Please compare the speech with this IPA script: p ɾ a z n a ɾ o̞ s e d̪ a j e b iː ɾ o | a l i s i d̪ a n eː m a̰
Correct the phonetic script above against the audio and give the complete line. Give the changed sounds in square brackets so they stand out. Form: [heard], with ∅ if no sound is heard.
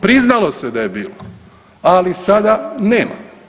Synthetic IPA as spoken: p ɾ [i] z n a [l] o̞ s e d̪ a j e b iː [l] o | a l i s [a] d̪ a n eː m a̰